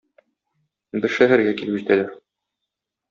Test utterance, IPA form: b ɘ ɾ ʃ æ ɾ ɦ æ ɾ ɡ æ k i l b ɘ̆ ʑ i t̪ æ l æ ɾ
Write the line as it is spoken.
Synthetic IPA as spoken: b ɘ ɾ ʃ æ ɦ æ ɾ ɡ æ k i l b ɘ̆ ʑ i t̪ æ l æ ɾ